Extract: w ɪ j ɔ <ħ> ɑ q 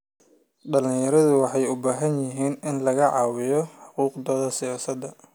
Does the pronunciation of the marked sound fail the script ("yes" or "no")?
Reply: no